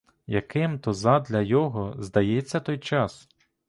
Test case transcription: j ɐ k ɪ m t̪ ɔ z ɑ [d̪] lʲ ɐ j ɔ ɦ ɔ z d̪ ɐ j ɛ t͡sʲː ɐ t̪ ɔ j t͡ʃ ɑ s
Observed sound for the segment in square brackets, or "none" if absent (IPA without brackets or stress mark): d̪